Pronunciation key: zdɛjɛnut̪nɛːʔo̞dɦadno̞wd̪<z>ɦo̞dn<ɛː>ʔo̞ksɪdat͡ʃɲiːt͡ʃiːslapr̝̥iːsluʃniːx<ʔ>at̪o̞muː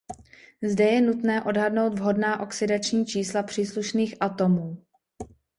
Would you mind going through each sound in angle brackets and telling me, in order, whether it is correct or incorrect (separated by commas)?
incorrect, incorrect, correct